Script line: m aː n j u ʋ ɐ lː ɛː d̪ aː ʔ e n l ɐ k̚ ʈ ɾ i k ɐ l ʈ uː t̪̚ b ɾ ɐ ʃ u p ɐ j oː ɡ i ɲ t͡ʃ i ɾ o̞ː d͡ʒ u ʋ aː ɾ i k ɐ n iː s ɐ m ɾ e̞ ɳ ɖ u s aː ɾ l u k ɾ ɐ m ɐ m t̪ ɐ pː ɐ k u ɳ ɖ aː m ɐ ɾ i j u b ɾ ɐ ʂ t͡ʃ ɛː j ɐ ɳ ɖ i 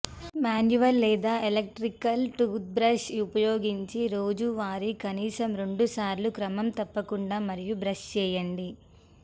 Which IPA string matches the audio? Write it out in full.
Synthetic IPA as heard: m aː n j u ʋ ɐ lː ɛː d̪ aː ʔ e l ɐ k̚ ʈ ɾ i k ɐ l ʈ uː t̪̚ b ɾ ɐ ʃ u p ɐ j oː ɡ i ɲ t͡ʃ i ɾ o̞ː d͡ʒ u ʋ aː ɾ i k ɐ n iː s ɐ m ɾ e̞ ɳ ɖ u s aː ɾ l u k ɾ ɐ m ɐ m t̪ ɐ pː ɐ k u ɳ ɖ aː m ɐ ɾ i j u b ɾ ɐ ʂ t͡ʃ ɛː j ɐ ɳ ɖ i